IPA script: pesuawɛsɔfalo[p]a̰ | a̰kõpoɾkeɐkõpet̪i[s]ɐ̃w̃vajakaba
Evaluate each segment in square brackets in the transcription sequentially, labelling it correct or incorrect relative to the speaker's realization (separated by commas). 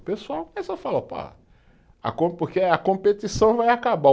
correct, correct